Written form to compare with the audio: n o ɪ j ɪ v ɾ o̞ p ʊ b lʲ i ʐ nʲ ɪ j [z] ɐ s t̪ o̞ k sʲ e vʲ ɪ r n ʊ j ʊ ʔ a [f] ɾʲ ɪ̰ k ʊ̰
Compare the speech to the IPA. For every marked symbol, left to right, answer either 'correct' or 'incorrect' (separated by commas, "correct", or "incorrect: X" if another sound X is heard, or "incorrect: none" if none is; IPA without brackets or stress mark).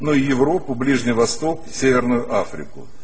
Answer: incorrect: v, correct